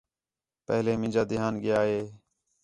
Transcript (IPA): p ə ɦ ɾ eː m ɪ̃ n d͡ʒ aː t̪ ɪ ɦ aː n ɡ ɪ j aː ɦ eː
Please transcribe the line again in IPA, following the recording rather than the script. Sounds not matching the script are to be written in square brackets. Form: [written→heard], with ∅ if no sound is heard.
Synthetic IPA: p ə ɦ [ɾ→l] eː m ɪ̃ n d͡ʒ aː [t̪→d̪] ɪ ɦ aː n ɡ ɪ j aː ɦ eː